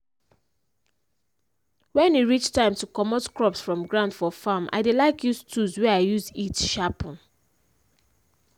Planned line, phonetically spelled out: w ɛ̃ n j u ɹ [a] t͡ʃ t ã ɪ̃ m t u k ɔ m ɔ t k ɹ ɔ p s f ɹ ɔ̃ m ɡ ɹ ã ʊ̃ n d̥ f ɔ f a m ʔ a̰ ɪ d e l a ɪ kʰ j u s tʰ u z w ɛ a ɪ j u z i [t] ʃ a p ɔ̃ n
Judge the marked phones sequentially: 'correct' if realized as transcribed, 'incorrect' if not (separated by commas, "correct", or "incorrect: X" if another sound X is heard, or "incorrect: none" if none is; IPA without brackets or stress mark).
incorrect: i, correct